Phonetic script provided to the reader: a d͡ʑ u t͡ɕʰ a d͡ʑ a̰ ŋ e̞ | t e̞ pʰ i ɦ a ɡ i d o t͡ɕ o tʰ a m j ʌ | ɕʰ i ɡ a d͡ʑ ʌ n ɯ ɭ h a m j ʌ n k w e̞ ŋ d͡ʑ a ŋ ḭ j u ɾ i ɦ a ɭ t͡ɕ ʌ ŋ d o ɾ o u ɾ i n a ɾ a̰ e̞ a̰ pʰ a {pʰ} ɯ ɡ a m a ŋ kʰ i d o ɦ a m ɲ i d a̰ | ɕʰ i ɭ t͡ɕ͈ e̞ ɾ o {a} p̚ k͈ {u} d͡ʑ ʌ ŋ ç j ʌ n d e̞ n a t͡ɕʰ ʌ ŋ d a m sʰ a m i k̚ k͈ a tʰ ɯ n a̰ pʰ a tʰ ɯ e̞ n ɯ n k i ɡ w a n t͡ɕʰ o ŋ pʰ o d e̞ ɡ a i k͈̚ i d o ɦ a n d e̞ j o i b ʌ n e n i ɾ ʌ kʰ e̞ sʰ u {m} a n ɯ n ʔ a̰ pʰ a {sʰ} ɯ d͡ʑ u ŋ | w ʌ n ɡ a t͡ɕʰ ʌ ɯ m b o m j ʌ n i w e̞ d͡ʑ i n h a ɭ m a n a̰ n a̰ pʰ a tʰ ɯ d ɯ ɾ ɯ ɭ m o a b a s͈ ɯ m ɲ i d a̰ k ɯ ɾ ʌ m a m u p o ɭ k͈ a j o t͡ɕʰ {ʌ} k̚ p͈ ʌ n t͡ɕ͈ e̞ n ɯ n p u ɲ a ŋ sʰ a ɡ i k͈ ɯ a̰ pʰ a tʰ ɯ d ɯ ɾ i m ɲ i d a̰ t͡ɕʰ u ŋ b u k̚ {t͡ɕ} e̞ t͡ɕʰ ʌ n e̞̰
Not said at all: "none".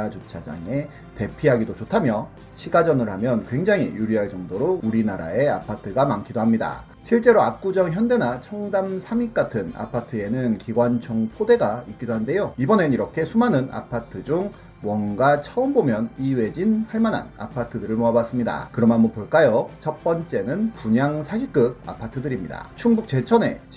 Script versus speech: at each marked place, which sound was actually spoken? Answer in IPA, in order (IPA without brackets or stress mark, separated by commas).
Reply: tʰ, a, u, m, tʰ, ʌ, t͡ɕ